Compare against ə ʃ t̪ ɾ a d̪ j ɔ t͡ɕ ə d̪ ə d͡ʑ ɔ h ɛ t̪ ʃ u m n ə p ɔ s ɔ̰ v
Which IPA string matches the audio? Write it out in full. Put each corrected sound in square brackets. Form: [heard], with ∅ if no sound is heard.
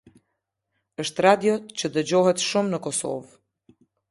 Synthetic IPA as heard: ə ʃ t̪ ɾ a d̪ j ɔ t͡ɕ ə d̪ ə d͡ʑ ɔ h ɛ t̪ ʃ u m n ə [k] ɔ s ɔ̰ v